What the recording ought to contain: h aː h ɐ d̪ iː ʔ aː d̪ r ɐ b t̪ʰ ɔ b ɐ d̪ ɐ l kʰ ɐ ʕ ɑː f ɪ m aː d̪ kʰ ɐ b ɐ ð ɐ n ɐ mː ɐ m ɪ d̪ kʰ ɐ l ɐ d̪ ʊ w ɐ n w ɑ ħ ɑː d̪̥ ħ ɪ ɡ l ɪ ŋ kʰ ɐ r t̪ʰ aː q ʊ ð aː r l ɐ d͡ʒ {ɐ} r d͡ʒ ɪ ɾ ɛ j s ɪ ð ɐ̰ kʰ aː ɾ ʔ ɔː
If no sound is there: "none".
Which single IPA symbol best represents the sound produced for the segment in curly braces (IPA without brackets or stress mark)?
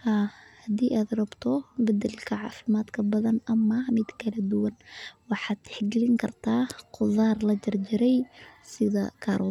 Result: ɐ